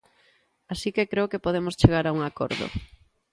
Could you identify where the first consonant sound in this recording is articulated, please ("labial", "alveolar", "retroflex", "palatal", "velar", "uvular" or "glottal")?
alveolar